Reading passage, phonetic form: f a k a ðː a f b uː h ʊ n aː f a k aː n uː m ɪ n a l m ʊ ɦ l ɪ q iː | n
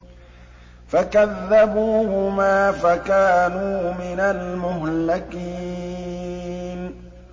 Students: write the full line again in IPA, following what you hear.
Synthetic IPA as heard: f a k a ðː a b uː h ʊ m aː f a k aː n uː m ɪ n a l m ʊ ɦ l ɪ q iː | n